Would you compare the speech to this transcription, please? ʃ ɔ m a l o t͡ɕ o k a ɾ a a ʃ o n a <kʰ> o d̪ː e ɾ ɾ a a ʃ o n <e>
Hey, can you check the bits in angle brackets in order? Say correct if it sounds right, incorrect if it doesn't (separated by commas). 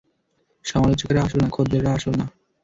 correct, incorrect